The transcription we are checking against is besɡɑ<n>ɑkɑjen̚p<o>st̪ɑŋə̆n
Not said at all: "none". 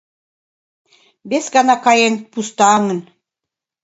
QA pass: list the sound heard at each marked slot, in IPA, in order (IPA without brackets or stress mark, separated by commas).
n, u